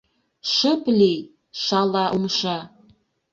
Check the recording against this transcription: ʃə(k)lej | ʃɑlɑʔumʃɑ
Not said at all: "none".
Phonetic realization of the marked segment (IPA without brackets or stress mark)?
p